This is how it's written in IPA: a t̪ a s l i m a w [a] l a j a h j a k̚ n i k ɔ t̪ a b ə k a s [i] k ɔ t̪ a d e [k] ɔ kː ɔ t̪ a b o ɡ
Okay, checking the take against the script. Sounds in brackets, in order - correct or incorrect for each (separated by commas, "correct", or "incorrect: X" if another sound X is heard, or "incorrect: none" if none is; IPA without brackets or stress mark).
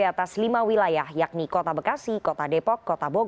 incorrect: i, correct, incorrect: p